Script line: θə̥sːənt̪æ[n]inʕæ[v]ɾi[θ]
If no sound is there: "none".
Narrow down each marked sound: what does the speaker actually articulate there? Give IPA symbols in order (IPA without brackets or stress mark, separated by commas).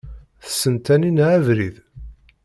n, v, ð